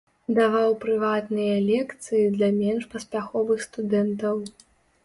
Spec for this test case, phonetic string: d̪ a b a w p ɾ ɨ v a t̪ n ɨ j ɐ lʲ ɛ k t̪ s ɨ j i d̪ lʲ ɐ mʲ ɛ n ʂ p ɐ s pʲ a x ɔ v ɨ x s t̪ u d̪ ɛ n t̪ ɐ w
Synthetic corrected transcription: d̪ a v a w p ɾ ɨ v a t̪ n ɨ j ɐ lʲ ɛ k t̪ s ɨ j i d̪ lʲ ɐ mʲ ɛ n ʂ p ɐ s pʲ a x ɔ v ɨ x s t̪ u d̪ ɛ n t̪ ɐ w